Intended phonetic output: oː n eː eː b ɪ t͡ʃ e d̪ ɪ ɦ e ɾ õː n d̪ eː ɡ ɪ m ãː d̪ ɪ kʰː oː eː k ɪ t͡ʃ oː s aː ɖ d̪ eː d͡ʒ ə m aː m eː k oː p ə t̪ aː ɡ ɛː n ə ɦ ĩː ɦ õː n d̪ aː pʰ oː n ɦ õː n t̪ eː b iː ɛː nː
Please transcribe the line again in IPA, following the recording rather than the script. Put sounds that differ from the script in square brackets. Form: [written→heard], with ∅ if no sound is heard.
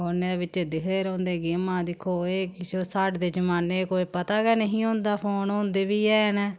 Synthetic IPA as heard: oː n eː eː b ɪ t͡ʃ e d̪ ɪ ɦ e ɾ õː n d̪ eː ɡ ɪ m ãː d̪ ɪ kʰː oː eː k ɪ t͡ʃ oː s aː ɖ d̪ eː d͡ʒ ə m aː [m→n] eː k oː p ə t̪ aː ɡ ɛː n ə ɦ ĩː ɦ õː n d̪ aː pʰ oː n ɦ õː n [t̪→d̪] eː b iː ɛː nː